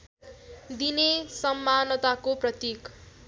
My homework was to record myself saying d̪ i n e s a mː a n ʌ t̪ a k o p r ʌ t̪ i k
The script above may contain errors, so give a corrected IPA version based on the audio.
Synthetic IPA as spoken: d̪ i n e s ʌ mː a n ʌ t̪ a k o p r ʌ t̪ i k